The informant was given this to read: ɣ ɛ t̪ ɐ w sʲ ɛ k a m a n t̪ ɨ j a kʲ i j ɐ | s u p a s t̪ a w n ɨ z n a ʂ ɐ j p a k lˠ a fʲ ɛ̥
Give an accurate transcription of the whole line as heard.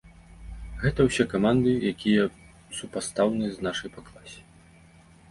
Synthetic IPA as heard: ɣ ɛ t̪ ɐ w sʲ ɛ k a m a n d̪ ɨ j a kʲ i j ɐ | s u p a s t̪ a w n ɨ z n a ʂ ɐ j p a k lˠ a sʲ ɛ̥

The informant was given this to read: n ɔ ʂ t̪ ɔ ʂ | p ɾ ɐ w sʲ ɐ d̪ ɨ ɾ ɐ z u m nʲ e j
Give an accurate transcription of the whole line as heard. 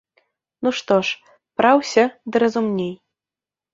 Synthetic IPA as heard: n u ʂ t̪ ɔ ʂ | p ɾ a w sʲ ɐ d̪ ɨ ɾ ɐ z u m nʲ e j

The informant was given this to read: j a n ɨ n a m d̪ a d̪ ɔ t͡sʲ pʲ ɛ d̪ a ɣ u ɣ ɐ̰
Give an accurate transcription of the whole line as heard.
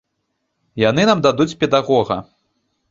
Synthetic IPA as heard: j a n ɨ n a m d̪ a d̪ u t͡sʲ pʲ ɛ d̪ a ɣ ɔ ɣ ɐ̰

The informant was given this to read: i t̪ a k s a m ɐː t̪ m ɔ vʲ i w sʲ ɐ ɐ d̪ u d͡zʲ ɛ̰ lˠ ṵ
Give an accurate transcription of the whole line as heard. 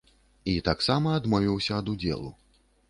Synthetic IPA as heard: i t̪ a k s a m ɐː d̪ m ɔ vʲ i w sʲ ɐ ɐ d̪ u d͡zʲ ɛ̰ lˠ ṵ

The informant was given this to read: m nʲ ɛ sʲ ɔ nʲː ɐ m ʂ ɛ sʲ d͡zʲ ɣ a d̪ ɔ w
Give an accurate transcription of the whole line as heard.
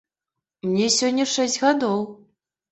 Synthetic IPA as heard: m nʲ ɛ sʲ ɔ nʲː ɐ ʂ ɛ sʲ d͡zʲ ɣ a d̪ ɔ w

